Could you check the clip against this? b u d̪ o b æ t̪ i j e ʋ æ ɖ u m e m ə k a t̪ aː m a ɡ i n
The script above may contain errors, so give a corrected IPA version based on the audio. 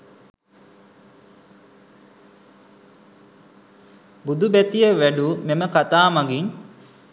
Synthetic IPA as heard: b u d̪ u b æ t̪ i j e ʋ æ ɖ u m e m ə k a t̪ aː m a ɡ i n